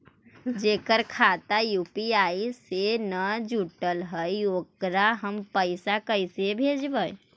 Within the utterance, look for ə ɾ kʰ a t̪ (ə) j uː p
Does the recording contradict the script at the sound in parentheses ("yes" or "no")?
yes